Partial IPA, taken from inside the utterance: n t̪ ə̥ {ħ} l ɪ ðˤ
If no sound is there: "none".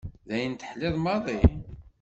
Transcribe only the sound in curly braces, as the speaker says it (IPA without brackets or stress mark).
ħ